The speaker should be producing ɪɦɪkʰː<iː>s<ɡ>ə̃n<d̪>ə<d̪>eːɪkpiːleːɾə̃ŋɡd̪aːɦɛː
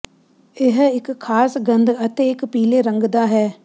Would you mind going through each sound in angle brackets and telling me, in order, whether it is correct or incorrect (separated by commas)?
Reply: incorrect, correct, correct, incorrect